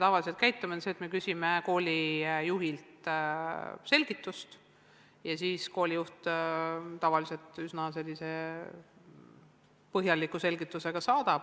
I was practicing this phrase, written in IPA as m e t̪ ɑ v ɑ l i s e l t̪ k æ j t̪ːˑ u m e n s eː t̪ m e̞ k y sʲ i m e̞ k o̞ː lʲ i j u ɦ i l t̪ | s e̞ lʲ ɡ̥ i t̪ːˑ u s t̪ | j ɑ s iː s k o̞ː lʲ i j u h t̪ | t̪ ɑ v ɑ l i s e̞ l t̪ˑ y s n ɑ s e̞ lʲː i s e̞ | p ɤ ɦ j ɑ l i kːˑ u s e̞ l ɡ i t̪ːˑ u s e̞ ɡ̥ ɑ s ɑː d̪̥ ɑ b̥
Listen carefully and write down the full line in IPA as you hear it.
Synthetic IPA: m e t̪ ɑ v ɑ l i s e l t̪ k æ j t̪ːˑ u m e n s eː t̪ m e̞ k y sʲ i m e̞ k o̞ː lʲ i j u ɦ i l t̪ | s e̞ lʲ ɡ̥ i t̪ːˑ u s t̪ | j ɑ s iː s k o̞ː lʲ i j u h t̪ | t̪ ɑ v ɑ l i s e̞ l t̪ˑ y s n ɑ s e̞ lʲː i s e̞ | p ɤ ɦ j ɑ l i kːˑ u s e̞ l ɡ i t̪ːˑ u s e̞ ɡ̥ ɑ s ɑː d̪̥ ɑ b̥